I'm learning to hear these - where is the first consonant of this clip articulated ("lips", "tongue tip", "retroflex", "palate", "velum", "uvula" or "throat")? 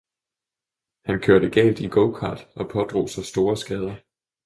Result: throat